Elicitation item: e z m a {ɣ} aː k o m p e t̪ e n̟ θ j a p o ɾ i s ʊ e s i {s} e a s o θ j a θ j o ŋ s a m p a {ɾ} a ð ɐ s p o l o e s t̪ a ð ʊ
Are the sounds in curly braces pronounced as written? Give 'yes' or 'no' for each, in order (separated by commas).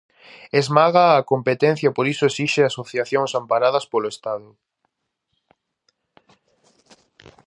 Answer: yes, no, yes